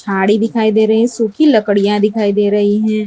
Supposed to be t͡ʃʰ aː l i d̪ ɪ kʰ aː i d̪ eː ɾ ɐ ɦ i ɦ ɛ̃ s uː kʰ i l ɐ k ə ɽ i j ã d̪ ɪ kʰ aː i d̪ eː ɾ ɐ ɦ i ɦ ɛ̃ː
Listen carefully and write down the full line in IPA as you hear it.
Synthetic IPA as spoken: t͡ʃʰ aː ɽ i d̪ ɪ kʰ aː i d̪ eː ɾ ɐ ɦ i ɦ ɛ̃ s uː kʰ i l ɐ k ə ɽ i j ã d̪ ɪ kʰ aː i d̪ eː ɾ ɐ ɦ i ɦ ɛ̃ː